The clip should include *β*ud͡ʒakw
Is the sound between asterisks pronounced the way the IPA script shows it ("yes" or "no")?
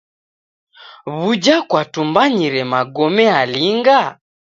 yes